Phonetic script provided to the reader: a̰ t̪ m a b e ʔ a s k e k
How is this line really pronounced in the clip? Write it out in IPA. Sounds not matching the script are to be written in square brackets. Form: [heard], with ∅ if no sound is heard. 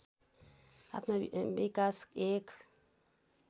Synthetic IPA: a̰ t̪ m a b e [k] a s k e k